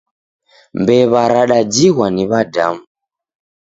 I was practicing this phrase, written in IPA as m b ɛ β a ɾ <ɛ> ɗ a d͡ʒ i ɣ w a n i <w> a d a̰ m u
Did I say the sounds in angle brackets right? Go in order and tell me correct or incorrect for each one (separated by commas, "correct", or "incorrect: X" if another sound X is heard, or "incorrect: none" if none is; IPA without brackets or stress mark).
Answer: incorrect: a, incorrect: β